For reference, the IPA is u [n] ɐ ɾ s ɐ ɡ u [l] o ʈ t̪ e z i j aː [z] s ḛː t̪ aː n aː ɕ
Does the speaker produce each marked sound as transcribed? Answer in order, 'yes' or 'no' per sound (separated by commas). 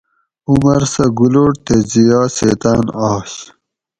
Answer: no, yes, no